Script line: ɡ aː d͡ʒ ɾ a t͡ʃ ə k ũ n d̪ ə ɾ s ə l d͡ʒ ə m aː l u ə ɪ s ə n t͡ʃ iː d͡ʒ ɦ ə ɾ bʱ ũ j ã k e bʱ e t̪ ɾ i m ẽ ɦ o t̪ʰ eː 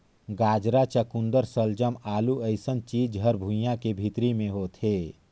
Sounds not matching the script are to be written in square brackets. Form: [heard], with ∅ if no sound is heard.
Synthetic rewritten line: ɡ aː d͡ʒ ɾ a t͡ʃ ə k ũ n d̪ ə ɾ s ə l d͡ʒ ə m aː l u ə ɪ s ə n t͡ʃ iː d͡ʒ ɦ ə ɾ bʱ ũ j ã k e bʱ [i] t̪ ɾ i m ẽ ɦ o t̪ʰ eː